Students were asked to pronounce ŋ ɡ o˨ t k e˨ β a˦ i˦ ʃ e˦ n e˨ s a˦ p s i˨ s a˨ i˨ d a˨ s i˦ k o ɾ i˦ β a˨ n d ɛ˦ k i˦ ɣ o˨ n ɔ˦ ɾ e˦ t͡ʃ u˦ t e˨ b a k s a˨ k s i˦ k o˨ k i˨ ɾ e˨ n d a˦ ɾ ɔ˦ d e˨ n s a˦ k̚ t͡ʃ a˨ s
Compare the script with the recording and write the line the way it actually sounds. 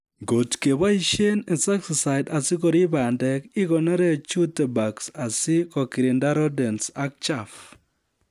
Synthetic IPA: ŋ ɡ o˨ t k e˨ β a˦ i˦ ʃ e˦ n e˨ s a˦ k s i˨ s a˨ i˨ d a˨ s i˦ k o ɾ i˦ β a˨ n d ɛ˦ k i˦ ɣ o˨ n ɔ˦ ɾ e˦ t͡ʃ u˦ t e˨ b a k s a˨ s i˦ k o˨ k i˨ ɾ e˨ n d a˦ ɾ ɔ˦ d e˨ n s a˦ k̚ t͡ʃ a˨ f

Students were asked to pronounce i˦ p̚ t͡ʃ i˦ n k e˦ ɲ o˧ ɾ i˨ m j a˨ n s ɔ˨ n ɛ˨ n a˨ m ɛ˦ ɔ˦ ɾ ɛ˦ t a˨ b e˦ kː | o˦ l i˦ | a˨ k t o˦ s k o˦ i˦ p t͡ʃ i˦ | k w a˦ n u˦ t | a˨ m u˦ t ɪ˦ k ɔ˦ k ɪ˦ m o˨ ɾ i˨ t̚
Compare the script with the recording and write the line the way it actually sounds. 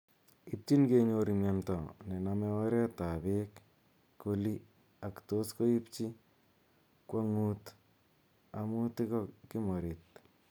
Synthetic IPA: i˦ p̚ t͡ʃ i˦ n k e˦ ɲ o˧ ɾ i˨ m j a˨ n t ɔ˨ n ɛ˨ n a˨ m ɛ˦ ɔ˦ ɾ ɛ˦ t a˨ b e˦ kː | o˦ l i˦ | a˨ k t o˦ s k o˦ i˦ p t͡ʃ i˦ | k w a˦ ŋ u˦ t | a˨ m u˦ t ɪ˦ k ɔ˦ k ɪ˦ m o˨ ɾ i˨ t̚

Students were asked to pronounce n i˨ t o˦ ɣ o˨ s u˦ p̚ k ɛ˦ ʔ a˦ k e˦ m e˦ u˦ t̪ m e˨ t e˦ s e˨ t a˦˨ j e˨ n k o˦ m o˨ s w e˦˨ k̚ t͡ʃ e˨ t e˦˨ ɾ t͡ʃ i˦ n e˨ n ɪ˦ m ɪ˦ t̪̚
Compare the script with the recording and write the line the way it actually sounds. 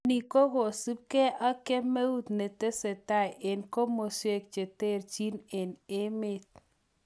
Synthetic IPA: n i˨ k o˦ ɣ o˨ s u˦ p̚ k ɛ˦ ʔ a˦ k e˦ m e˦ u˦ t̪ n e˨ t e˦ s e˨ t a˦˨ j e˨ n k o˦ m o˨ s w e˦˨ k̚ t͡ʃ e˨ t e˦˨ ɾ t͡ʃ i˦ n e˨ n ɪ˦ m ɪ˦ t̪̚

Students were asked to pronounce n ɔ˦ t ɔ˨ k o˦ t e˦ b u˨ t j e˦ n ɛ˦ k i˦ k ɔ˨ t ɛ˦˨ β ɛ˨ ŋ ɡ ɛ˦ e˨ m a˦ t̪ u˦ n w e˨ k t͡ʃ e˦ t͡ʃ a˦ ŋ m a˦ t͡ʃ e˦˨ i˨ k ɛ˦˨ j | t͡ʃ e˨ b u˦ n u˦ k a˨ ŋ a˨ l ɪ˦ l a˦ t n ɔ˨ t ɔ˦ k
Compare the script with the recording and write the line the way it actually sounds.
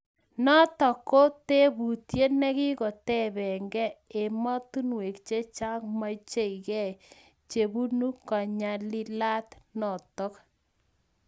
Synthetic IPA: n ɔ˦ t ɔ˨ k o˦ t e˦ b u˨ t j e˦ n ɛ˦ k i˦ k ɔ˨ t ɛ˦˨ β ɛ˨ ŋ ɡ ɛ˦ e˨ m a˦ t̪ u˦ n w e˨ k t͡ʃ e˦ t͡ʃ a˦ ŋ m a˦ t͡ʃ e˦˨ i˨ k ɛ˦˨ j | t͡ʃ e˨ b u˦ n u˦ k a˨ ɲ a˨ l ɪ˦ l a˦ t n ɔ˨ t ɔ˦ k

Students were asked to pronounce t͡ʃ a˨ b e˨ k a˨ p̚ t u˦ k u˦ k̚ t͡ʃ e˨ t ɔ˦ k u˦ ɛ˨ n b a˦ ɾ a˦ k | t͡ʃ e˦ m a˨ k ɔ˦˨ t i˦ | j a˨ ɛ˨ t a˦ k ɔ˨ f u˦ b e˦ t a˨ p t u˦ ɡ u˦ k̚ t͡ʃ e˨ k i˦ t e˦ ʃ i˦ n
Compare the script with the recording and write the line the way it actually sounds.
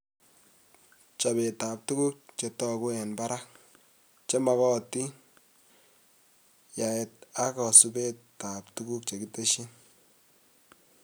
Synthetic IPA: t͡ʃ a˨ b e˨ t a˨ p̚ t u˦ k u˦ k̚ t͡ʃ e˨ t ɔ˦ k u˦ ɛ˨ n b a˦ ɾ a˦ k | t͡ʃ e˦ m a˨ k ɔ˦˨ t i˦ | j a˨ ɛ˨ t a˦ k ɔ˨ s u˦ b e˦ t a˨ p t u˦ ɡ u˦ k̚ t͡ʃ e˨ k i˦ t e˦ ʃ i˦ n

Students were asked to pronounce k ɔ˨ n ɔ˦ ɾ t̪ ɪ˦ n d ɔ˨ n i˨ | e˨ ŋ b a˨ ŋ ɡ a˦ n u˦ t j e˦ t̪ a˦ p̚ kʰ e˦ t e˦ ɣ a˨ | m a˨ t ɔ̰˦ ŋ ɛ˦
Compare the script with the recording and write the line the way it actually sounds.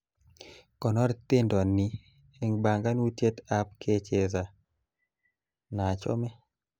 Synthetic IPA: k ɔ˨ n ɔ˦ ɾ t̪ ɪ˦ n d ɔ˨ n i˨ | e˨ ŋ b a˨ ŋ ɡ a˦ n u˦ t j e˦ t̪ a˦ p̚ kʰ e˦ t͡ʃ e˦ z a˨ | n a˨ t͡ʃ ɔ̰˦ m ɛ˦

